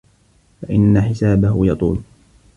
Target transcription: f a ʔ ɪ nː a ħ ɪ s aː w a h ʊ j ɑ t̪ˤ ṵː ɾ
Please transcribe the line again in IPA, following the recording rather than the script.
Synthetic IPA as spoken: f a ʔ ɪ nː a ħ ɪ s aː b a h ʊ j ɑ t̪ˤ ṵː l